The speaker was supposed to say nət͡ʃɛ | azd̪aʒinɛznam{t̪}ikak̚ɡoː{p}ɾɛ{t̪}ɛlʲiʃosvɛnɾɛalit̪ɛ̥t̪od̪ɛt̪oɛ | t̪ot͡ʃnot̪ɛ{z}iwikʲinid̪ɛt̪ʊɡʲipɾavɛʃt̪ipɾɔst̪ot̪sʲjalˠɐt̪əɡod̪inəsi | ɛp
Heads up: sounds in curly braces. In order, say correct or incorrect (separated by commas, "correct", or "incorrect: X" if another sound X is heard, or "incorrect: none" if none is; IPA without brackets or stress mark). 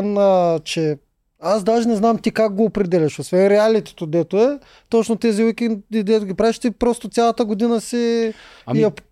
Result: correct, correct, incorrect: d̪, correct